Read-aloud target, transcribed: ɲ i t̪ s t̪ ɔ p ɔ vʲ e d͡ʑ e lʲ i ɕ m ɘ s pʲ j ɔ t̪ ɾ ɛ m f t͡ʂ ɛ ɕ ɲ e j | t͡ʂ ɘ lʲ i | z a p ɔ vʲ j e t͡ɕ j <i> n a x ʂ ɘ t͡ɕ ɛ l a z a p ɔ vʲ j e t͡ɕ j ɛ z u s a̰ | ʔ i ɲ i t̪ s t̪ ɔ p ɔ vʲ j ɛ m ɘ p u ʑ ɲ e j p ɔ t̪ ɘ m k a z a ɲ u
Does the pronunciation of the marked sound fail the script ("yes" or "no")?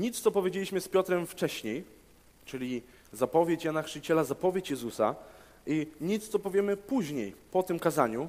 yes